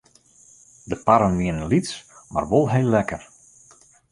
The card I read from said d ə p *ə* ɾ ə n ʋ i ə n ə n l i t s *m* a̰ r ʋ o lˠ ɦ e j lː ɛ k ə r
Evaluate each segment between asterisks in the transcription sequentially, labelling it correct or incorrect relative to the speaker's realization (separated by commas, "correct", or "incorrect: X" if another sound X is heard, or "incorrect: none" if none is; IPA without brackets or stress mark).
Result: incorrect: a, correct